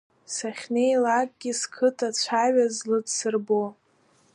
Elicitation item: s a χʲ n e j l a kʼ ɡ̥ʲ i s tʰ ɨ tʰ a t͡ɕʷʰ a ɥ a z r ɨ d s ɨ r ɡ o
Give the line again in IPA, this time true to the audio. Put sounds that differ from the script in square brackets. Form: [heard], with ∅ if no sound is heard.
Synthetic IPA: s a χʲ n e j l a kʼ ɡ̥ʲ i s [kʰ] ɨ tʰ a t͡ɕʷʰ a ɥ a z [l] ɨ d s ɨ r [b] o

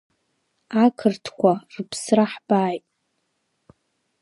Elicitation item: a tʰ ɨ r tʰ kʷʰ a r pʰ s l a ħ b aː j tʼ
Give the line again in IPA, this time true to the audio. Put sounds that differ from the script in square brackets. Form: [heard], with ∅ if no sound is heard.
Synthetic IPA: a [kʰ] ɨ r tʰ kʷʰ a r pʰ s [r] a ħ b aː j tʼ

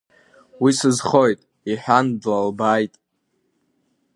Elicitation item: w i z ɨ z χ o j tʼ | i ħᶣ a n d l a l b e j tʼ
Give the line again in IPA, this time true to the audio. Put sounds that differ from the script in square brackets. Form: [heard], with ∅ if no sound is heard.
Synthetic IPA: w i [s] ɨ z χ o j tʼ | i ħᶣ a n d l a l b [a] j tʼ

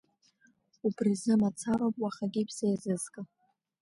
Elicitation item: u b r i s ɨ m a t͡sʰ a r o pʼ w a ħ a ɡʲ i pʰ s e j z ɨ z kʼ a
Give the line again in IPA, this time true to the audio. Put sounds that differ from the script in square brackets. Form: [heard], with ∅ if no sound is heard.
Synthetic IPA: u b r i [z] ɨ m a t͡sʰ a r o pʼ w a [χ] a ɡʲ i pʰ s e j z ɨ z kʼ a

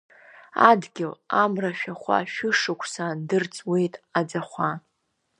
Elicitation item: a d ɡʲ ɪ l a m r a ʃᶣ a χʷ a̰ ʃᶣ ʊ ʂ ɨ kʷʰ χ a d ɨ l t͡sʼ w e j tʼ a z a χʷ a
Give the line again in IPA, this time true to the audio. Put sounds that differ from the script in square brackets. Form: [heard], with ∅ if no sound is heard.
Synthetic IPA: a d ɡʲ ɪ l a m r a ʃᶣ a χʷ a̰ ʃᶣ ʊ ʂ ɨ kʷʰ [s] a d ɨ [r] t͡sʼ w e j tʼ a [d͡z] a χʷ a

